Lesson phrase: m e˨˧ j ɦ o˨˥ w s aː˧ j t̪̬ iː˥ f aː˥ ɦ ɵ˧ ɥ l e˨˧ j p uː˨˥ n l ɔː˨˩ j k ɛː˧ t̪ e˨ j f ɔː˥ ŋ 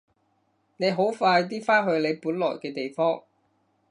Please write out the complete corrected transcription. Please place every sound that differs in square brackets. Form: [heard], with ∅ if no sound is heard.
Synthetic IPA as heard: [n] e˨˧ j ɦ o˨˥ w [f] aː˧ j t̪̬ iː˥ f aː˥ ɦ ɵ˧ ɥ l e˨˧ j p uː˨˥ n l ɔː˨˩ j k ɛː˧ t̪ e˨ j f ɔː˥ ŋ